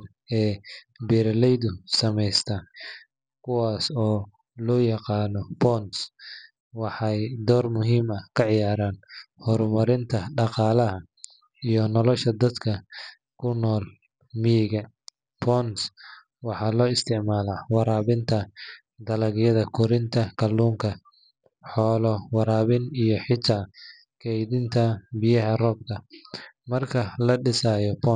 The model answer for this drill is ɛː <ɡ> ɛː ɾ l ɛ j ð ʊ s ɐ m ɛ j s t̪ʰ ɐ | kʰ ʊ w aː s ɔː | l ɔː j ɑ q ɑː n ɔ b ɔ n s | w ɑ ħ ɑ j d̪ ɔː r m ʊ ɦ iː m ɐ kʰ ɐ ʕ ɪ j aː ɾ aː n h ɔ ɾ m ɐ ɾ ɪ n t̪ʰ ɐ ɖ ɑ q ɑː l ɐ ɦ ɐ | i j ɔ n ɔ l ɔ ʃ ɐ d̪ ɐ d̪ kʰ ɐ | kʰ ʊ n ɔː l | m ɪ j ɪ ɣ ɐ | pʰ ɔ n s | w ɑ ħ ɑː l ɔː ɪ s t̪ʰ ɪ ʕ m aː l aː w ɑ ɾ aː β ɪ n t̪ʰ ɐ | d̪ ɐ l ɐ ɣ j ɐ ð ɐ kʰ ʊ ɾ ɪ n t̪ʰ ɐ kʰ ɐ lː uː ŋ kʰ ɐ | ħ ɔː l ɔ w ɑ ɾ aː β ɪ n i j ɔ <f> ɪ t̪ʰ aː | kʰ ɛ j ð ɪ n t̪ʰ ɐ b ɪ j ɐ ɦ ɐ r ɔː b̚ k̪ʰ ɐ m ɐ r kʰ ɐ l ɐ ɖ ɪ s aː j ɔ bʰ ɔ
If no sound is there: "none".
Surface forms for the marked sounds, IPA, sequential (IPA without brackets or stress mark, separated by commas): b, ħ